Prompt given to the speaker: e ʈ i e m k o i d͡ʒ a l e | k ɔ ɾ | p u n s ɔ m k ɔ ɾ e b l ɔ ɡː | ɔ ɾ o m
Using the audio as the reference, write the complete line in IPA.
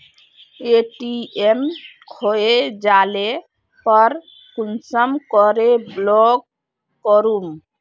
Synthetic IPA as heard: e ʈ i e m kʰ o e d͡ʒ a l e | p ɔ ɾ | k u n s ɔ m k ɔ ɾ e b l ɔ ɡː | ɔ ɾ u m